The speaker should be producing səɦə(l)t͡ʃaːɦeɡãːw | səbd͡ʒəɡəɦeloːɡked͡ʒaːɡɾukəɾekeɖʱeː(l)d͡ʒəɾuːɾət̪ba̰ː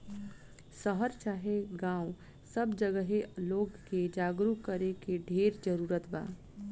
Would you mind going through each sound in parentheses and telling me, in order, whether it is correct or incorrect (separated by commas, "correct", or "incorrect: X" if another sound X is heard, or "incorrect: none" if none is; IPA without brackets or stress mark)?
incorrect: ɾ, incorrect: ɾ